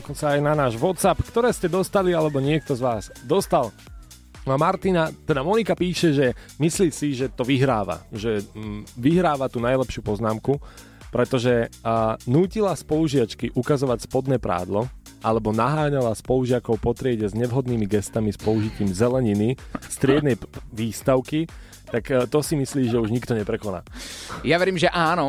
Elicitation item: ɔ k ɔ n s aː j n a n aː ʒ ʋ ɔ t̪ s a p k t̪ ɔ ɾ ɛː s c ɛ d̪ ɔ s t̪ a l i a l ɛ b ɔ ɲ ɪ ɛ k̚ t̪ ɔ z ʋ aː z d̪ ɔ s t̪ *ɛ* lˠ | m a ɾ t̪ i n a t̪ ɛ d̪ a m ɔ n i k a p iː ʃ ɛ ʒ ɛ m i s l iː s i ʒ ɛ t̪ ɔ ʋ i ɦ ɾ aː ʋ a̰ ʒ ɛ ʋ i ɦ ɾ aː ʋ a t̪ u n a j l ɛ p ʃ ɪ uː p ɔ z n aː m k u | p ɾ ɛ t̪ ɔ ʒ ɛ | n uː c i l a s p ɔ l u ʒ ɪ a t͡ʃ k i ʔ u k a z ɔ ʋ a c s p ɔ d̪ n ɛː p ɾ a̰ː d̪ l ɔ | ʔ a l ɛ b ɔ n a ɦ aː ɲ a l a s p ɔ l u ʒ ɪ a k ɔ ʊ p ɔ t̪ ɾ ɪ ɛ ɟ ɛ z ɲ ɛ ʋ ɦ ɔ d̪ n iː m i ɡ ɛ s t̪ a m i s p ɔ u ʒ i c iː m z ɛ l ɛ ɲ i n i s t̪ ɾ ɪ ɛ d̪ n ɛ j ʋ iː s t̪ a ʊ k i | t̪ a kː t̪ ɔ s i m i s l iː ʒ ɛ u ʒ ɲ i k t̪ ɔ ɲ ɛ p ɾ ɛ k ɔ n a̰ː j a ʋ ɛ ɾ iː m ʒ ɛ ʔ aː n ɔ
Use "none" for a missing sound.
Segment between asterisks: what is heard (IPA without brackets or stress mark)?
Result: a